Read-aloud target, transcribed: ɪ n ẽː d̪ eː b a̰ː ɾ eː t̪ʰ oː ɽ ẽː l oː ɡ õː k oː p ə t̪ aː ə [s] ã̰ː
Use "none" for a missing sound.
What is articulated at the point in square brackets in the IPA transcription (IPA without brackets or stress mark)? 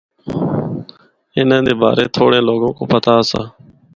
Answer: s